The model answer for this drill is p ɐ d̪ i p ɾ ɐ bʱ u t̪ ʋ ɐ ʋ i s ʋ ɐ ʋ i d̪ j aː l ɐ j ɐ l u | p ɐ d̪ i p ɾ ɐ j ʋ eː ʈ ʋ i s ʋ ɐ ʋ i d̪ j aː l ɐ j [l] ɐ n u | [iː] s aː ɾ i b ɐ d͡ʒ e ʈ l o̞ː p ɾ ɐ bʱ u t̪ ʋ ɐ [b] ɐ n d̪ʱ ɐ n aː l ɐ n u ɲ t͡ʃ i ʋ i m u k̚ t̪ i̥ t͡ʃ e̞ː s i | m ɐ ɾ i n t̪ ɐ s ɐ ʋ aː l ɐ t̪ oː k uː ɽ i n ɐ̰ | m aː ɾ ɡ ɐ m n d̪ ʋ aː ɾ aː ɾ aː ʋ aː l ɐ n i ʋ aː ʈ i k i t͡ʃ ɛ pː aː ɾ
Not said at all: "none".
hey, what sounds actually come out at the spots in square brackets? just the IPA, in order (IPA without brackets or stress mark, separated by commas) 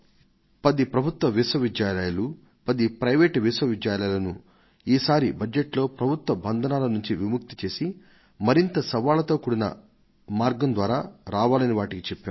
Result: l, iː, b